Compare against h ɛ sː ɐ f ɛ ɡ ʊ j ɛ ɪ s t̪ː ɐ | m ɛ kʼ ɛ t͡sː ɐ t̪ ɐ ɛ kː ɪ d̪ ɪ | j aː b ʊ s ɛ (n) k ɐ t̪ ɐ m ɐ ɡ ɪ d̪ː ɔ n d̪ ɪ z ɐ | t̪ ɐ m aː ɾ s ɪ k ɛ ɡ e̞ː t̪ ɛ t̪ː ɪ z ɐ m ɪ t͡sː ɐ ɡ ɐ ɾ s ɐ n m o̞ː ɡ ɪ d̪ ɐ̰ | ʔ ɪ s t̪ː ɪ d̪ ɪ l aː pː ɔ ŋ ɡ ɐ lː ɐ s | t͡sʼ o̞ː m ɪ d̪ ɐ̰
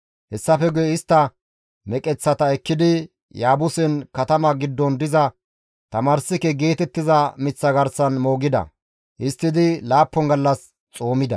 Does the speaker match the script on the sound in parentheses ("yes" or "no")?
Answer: yes